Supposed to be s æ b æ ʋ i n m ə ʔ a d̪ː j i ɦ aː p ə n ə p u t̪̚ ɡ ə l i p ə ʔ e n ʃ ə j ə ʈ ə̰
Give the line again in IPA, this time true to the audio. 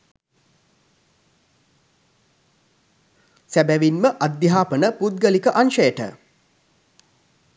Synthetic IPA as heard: s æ b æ ʋ i n m ə ʔ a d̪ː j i ɦ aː p ə n ə p u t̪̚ ɡ ə l i k ə ʔ a n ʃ ə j ə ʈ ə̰